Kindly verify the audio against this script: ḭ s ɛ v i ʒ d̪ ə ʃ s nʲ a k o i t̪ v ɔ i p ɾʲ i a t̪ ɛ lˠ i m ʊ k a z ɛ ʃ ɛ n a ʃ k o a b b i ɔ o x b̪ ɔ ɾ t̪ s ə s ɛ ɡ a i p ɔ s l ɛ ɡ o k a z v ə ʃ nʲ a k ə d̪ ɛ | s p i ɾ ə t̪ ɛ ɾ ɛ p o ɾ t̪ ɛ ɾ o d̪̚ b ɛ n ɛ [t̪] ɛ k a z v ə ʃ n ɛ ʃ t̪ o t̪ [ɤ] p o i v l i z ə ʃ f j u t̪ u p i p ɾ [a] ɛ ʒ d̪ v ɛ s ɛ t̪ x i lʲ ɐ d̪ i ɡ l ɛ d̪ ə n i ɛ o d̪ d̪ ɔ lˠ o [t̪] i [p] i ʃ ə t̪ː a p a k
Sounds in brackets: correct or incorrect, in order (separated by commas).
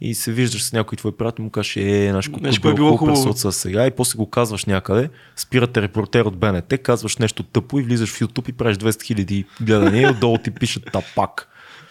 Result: correct, correct, correct, correct, correct